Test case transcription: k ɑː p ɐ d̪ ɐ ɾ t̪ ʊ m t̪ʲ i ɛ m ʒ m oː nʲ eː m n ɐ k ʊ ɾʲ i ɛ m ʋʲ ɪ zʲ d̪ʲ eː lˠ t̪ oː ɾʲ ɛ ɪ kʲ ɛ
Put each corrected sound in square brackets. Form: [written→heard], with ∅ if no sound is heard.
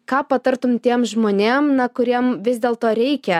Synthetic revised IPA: k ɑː p ɐ [d̪→t̪] ɐ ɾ t̪ ʊ m t̪ʲ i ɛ m ʒ m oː nʲ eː m n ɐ k ʊ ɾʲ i ɛ m ʋʲ ɪ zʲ d̪ʲ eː lˠ t̪ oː ɾʲ ɛ ɪ kʲ ɛ